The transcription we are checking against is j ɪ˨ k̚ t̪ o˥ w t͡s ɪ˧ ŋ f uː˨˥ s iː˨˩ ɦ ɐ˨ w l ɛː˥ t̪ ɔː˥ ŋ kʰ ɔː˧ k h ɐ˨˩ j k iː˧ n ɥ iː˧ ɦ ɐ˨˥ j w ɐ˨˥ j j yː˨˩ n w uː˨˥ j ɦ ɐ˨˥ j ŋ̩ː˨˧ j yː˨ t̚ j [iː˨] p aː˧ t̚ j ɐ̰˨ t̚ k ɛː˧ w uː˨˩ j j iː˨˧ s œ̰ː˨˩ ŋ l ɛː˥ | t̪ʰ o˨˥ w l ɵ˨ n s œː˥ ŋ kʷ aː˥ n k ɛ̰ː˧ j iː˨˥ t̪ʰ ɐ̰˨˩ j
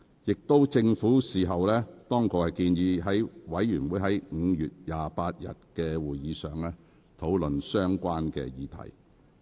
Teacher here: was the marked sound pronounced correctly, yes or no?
no